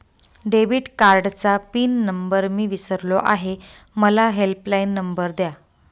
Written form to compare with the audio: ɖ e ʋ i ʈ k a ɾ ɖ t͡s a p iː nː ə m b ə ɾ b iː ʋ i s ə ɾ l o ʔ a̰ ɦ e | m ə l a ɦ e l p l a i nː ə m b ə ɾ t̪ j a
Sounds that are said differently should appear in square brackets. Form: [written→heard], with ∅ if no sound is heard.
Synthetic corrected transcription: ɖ e ʋ i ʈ k a ɾ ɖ t͡s a p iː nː ə m b ə ɾ [b→m] iː ʋ i s ə ɾ l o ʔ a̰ ɦ e | m ə l a ɦ e l p l a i nː ə m b ə ɾ [t̪→d̪] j a